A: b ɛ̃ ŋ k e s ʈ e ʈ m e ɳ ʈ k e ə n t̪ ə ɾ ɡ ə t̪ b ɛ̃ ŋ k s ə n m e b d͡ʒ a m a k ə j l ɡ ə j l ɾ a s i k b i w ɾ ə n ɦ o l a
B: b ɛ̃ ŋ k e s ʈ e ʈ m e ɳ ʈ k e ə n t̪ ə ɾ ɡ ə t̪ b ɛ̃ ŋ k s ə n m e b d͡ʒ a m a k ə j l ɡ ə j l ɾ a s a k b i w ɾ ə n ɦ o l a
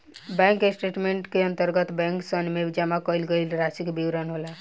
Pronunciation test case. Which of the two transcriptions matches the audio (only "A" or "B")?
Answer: A